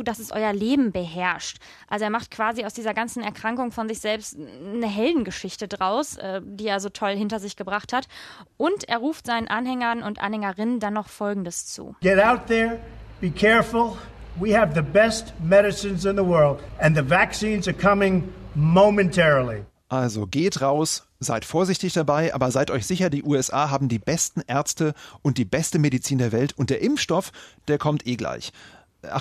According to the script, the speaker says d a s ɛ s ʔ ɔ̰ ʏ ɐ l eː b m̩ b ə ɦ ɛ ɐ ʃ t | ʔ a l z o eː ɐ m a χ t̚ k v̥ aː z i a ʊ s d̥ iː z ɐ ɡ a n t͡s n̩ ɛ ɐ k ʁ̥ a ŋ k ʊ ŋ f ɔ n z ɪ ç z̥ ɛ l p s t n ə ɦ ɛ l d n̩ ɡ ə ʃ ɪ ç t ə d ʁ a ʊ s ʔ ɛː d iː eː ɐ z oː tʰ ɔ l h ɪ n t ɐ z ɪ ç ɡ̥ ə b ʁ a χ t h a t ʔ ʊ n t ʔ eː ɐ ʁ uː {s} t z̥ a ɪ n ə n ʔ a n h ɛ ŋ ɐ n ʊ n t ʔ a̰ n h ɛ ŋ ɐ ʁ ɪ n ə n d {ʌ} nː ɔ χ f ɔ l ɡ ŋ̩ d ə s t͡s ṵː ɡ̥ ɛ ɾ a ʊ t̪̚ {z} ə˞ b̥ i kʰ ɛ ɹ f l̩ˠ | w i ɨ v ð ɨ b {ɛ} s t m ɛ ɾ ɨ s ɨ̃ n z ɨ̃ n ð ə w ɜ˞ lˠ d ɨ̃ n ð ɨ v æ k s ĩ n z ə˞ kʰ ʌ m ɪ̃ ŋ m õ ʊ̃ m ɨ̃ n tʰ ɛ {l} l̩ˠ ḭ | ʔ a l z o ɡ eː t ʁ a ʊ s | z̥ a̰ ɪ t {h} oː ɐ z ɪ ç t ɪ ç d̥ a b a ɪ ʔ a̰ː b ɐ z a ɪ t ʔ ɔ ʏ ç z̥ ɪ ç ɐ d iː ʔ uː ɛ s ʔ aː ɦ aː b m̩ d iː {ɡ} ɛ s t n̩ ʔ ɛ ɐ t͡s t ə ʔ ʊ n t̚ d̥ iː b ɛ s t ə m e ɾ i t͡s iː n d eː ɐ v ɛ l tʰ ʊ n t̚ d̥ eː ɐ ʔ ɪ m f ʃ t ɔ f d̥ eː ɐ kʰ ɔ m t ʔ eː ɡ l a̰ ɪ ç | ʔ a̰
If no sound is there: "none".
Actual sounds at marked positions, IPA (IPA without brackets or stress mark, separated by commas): f, a, ð, ɛ, ɹ, f, b